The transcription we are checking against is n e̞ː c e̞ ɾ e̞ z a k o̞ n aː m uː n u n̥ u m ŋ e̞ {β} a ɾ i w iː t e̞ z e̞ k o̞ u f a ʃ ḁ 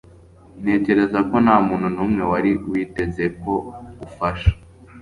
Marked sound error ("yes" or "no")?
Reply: yes